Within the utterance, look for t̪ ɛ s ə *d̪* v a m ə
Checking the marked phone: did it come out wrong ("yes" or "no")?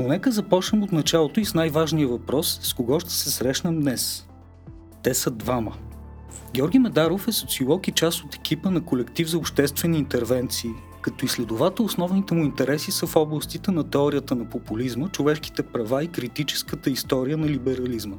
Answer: no